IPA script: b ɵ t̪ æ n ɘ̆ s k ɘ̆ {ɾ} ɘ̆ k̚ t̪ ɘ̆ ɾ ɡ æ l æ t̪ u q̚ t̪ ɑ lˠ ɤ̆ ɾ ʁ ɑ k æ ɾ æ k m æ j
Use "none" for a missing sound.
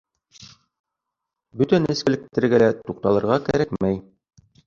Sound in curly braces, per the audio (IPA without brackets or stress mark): l